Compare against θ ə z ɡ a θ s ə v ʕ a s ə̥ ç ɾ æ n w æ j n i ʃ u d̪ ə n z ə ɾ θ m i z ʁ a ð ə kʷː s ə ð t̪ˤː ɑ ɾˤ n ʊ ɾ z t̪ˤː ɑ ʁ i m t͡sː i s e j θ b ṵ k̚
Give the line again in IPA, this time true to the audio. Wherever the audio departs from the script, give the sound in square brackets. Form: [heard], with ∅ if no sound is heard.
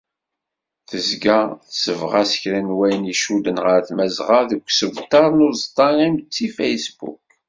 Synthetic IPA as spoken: θ ə z ɡ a θ s ə v [ʁ] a s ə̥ ç ɾ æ n w æ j n i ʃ u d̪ ə n [ʁ] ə ɾ θ m [æ] z ʁ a ð ə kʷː s ə [v] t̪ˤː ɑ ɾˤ n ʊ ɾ z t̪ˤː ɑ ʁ i m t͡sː i [f] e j [s] b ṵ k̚